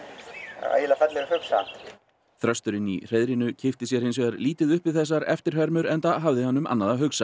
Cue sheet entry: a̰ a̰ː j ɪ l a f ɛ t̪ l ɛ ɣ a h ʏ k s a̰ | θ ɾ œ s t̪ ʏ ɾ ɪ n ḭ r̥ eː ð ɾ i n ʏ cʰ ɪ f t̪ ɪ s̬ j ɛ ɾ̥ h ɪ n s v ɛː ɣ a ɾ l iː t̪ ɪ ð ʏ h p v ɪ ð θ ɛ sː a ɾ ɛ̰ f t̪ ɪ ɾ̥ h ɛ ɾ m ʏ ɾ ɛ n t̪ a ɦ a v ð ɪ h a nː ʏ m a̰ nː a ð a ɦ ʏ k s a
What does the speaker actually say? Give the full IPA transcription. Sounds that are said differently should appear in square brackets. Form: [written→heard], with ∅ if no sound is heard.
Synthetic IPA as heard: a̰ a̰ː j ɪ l a f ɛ t̪ l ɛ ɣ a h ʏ k s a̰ | θ ɾ œ s t̪ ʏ ɾ ɪ n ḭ r̥ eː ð ɾ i n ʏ cʰ ɪ f t̪ ɪ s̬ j ɛ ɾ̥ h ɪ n s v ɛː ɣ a ɾ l iː t̪ ɪ ð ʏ h p v ɪ ð θ ɛ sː a ɾ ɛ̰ f t̪ ɪ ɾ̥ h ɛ ɾ m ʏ ɾ ɛ n t̪ a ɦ a v ð ɪ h a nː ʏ m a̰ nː a ð a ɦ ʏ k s a